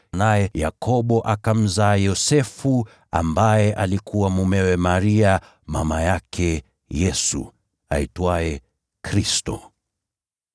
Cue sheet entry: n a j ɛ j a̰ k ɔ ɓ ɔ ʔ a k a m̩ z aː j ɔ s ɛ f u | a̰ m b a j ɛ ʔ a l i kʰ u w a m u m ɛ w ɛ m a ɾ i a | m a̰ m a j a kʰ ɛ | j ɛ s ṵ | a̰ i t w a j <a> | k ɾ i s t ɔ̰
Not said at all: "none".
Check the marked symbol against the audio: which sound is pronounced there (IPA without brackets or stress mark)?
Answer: ɛ